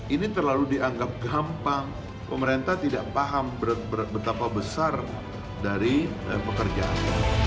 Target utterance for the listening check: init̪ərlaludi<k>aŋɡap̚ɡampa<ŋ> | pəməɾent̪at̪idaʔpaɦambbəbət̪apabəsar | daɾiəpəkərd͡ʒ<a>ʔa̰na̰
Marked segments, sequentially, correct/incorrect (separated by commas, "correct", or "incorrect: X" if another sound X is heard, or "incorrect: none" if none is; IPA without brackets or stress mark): incorrect: none, correct, correct